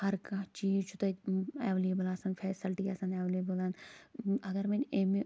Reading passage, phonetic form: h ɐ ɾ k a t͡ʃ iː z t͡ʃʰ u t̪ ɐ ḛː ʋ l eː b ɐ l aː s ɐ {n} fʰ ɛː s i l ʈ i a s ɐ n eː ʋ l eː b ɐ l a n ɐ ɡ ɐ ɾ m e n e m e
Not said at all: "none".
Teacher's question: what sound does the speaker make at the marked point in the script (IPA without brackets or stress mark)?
n